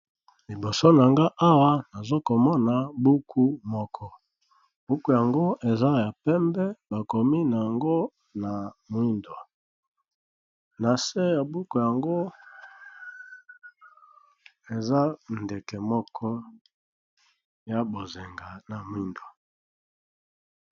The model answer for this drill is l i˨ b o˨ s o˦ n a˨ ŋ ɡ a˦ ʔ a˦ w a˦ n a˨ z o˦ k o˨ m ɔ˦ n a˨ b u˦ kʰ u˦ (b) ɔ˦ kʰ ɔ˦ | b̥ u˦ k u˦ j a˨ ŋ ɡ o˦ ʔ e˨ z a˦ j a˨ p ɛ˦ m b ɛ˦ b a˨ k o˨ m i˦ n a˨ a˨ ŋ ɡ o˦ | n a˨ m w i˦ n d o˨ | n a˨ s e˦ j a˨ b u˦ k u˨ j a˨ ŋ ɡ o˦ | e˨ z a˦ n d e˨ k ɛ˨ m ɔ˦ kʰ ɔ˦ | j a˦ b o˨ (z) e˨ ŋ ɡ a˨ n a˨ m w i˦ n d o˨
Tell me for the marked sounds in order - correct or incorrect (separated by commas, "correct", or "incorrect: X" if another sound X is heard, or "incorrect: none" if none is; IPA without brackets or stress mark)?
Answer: incorrect: m, correct